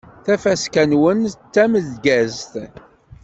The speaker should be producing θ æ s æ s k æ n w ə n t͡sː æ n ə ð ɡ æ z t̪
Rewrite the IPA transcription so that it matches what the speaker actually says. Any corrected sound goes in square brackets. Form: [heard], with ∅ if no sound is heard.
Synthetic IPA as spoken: θ æ [f] æ s k æ n w ə n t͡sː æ [m] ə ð ɡ æ z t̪